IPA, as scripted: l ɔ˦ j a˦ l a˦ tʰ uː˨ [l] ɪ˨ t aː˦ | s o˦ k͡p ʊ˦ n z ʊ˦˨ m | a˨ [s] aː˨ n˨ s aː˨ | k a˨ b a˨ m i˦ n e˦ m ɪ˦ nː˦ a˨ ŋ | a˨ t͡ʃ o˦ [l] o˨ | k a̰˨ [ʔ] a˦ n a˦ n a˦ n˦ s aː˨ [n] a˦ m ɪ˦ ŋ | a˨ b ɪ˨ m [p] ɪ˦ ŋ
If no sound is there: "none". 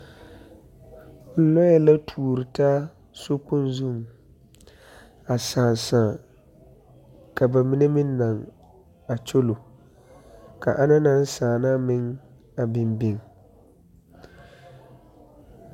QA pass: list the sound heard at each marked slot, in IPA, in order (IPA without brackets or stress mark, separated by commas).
ɾ, s, l, ʔ, n, b